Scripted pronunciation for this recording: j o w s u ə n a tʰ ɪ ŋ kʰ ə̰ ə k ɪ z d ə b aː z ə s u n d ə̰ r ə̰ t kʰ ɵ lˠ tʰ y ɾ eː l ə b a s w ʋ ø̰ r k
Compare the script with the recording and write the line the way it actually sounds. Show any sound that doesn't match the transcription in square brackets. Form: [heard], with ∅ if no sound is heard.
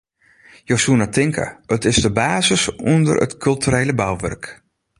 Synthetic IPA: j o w s u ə n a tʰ ɪ ŋ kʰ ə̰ ə [t] ɪ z d ə b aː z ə s u n d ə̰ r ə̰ t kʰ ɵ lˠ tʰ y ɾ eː l ə b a [∅] w ʋ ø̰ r k